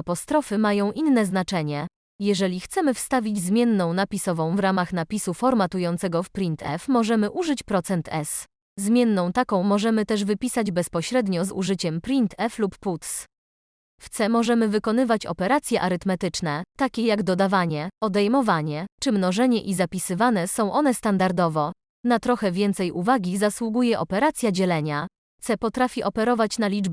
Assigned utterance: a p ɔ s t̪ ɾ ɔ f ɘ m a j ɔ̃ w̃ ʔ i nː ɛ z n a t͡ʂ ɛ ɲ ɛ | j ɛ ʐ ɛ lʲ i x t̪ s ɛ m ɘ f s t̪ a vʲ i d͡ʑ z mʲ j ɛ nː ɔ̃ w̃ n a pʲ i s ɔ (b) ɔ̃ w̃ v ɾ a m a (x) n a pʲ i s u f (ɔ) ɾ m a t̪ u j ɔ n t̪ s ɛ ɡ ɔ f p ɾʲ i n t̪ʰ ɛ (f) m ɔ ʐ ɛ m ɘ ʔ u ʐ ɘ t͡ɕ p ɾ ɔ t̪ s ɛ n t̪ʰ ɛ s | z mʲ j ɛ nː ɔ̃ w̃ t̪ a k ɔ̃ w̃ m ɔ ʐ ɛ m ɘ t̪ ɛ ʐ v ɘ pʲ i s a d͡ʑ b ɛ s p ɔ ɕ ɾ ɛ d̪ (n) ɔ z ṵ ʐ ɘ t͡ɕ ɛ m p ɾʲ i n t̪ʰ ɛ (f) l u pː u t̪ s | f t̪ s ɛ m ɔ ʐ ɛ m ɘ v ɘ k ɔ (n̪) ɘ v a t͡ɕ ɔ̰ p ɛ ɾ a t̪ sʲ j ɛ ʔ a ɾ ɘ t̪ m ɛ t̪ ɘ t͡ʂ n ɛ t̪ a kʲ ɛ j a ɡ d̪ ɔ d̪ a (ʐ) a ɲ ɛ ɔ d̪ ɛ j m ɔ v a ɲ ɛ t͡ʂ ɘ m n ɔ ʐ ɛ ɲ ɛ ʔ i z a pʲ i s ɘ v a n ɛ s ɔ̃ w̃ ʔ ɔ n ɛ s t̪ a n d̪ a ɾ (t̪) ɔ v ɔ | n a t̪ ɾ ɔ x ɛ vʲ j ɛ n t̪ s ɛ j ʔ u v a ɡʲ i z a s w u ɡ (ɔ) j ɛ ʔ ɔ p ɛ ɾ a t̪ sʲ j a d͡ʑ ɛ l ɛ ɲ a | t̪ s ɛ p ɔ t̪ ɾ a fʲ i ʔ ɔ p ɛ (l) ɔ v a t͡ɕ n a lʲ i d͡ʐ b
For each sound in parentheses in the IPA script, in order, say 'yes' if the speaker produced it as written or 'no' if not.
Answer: no, yes, yes, yes, no, yes, yes, no, no, no, no

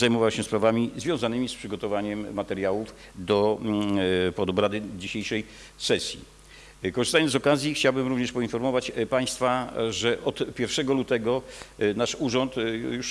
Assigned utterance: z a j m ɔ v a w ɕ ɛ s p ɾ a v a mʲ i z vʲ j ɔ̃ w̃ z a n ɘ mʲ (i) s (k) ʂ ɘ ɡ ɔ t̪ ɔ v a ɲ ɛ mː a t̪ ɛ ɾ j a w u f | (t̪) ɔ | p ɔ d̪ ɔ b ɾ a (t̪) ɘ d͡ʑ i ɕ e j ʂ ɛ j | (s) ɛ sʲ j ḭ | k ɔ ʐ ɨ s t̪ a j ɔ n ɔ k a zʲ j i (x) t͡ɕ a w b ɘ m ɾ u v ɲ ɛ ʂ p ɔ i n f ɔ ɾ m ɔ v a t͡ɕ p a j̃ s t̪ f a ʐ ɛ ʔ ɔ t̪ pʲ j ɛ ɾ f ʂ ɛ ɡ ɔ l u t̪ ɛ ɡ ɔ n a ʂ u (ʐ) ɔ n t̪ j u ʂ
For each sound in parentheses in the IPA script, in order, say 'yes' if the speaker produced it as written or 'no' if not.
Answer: yes, no, no, no, yes, yes, yes

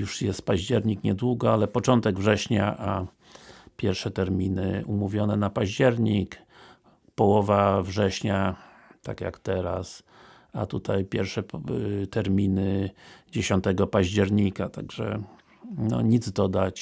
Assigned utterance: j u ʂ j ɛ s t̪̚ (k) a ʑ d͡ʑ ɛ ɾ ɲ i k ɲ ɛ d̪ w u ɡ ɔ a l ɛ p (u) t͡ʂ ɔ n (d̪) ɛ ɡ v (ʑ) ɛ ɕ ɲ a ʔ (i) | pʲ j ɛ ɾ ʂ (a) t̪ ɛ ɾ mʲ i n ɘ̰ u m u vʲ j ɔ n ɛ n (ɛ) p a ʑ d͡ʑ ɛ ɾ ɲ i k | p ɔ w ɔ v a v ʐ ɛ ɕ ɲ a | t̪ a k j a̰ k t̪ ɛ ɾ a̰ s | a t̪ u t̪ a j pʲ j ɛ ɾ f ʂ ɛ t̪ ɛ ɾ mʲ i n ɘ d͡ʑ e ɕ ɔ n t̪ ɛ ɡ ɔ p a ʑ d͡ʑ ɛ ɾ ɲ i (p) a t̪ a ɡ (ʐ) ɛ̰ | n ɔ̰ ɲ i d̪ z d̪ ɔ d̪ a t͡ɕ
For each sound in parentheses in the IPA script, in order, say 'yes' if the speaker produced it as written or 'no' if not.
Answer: no, no, no, no, no, no, no, no, yes

